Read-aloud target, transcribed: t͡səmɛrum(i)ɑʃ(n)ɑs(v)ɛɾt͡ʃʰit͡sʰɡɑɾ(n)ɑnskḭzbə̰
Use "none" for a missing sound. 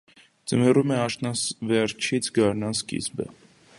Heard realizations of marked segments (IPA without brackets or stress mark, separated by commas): ɛ, n, v, n